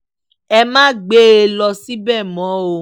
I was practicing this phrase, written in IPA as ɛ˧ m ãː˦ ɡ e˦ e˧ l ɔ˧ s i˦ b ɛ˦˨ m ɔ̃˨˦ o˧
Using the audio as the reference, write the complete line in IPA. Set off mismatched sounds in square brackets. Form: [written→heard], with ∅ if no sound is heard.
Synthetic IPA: ɛ˧ m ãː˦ [ɡ→ɡ͡b] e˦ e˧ l ɔ˧ s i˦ b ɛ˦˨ m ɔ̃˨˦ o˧